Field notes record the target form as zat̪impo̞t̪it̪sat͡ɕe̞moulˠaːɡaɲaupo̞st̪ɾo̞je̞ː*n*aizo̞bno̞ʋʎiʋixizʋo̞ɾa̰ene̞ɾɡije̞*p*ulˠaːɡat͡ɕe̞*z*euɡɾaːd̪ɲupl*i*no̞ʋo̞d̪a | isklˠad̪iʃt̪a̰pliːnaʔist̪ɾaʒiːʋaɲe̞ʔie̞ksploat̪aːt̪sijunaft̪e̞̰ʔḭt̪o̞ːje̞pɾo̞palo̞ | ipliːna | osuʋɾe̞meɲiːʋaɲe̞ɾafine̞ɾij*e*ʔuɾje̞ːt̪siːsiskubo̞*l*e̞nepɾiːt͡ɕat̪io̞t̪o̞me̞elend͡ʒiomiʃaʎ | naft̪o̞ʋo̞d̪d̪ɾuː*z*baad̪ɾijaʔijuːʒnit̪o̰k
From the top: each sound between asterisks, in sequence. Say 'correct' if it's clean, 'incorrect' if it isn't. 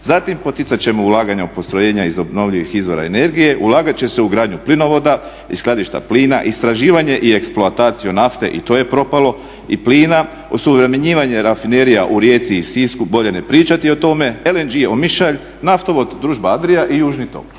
incorrect, incorrect, incorrect, correct, incorrect, incorrect, incorrect

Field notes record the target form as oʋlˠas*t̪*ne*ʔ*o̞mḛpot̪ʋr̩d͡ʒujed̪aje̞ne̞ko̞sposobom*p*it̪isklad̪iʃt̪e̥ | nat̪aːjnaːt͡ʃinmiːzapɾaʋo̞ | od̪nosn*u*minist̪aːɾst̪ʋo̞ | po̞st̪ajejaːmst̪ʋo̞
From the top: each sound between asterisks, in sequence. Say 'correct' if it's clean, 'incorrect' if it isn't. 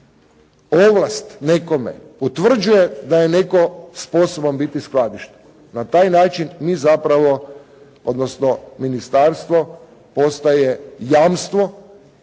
correct, incorrect, incorrect, incorrect

